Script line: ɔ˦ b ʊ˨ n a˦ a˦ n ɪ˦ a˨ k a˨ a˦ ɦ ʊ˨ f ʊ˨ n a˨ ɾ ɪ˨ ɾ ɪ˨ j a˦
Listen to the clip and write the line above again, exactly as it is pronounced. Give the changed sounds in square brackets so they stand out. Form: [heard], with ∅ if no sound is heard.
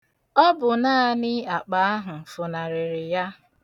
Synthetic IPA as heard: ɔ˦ b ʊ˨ n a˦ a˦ n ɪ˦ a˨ [k͡p] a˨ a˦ ɦ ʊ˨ f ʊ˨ n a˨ ɾ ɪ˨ ɾ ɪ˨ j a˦